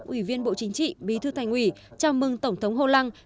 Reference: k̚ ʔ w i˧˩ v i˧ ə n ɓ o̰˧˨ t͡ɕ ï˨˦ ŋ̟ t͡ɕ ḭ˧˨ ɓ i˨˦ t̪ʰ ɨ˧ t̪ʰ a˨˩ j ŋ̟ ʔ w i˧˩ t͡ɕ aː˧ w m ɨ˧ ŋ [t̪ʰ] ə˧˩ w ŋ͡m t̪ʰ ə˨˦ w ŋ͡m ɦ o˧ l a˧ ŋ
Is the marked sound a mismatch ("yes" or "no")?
yes